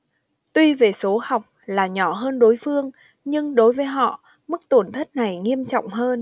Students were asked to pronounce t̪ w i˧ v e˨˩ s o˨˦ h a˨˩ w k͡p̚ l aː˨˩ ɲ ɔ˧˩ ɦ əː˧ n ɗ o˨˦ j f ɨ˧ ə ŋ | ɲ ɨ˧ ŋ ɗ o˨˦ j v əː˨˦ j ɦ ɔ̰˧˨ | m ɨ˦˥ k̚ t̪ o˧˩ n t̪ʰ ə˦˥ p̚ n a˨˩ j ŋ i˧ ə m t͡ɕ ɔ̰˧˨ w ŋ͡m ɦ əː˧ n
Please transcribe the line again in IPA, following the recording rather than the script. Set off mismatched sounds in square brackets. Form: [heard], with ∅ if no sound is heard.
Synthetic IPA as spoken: t̪ w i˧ v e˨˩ s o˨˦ h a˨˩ w k͡p̚ l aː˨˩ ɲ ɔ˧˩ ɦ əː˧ n ɗ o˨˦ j f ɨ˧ ə ŋ | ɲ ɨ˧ ŋ ɗ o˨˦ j v əː˨˦ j ɦ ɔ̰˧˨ | m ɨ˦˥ k̚ t̪ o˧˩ n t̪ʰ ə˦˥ [t̚] n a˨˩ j ŋ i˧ ə m t͡ɕ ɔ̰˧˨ w ŋ͡m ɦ əː˧ n